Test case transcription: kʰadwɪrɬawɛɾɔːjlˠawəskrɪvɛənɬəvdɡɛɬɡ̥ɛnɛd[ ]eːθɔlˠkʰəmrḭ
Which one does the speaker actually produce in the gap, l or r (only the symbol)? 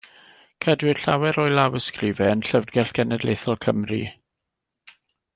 l